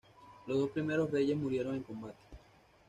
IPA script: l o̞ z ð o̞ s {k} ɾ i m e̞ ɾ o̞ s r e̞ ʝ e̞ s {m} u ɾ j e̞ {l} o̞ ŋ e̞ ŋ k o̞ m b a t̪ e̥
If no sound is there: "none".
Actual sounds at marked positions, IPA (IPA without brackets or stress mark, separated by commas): p, m, ɾ